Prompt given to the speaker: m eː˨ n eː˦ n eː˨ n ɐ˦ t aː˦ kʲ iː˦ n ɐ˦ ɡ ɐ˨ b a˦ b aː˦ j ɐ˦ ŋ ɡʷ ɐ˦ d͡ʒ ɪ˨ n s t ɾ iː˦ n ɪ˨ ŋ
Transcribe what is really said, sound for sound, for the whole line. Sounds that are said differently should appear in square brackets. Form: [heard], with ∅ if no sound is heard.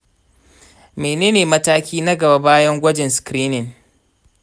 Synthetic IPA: m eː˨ n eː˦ n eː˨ [m] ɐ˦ t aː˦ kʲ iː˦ n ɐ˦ ɡ ɐ˨ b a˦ b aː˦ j ɐ˦ ŋ ɡʷ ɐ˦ d͡ʒ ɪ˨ n s [k] ɾ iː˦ n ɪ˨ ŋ